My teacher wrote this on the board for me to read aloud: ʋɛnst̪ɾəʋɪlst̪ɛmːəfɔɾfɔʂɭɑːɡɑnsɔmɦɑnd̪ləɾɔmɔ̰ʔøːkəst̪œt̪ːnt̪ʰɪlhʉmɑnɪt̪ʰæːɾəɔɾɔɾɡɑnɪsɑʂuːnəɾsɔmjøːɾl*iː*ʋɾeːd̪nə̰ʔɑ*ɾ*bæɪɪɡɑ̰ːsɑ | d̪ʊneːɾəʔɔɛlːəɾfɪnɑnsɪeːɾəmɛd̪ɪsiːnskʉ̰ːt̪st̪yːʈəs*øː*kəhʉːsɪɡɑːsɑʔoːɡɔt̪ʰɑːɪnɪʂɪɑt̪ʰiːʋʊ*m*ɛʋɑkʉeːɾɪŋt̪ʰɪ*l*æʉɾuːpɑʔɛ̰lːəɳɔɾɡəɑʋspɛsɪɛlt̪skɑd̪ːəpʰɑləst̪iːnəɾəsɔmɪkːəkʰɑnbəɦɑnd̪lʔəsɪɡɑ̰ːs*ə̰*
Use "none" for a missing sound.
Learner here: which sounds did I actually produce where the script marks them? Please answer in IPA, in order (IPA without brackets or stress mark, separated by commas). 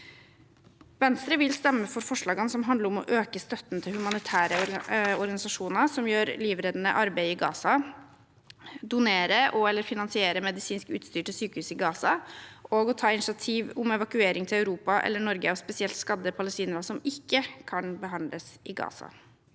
iː, ɾ, yː, m, l, ɑ̰